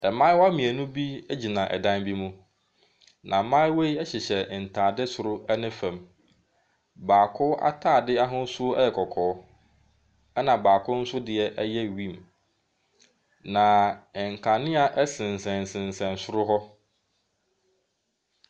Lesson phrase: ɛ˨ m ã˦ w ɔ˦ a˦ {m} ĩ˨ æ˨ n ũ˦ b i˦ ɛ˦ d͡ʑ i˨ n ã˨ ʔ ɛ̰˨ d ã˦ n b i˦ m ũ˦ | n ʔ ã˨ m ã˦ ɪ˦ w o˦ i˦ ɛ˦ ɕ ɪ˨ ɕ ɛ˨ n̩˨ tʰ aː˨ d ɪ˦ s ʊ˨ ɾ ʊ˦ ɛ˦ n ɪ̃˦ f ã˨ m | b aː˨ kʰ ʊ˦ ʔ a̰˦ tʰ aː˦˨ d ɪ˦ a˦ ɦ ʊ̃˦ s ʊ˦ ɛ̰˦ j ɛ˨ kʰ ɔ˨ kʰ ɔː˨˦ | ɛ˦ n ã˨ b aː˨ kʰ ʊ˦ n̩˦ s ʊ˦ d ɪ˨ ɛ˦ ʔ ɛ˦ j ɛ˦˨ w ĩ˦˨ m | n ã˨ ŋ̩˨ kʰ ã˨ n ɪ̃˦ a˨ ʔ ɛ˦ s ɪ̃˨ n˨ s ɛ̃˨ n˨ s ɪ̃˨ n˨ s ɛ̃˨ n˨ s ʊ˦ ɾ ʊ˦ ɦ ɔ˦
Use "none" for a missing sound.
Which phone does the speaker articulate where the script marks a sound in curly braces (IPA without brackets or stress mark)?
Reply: m